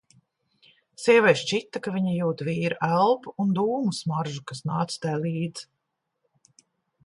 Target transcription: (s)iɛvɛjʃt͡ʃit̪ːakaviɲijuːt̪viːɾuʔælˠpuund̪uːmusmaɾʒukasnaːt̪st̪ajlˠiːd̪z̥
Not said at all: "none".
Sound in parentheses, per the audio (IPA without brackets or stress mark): s